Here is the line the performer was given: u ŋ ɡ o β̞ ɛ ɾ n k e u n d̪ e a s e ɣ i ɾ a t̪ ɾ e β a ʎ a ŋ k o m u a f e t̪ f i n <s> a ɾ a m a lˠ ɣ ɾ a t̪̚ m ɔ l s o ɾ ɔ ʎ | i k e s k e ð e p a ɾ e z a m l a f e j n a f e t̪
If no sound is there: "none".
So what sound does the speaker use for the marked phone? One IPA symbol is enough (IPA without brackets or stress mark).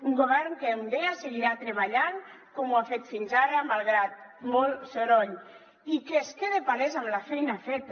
z